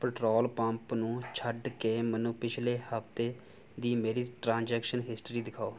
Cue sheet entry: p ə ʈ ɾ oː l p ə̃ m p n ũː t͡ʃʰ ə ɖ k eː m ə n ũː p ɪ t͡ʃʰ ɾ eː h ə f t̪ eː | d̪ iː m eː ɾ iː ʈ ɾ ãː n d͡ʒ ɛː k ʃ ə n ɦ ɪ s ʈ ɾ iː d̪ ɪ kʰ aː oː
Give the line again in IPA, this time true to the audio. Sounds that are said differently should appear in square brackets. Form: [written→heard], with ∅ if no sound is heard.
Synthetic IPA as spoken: p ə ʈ ɾ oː l p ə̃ m p n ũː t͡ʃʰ ə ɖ k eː m ə n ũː p ɪ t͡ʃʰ [ɾ→l] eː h ə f t̪ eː | d̪ iː m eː ɾ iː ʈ ɾ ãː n d͡ʒ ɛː k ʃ ə n ɦ ɪ s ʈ ɾ iː d̪ ɪ kʰ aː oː